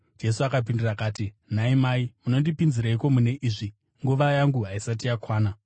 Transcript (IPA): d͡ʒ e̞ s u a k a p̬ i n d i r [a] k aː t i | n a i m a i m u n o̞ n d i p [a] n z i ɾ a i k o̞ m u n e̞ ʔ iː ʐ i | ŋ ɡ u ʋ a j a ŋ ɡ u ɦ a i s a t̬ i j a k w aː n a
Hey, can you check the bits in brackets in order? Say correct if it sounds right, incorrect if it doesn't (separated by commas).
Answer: correct, incorrect